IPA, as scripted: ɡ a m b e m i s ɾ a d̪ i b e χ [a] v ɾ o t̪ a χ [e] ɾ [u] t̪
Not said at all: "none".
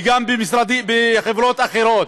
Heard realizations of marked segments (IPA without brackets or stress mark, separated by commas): e, e, o